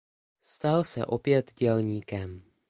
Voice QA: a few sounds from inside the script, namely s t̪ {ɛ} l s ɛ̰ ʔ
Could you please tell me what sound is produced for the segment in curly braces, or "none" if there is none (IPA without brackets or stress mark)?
a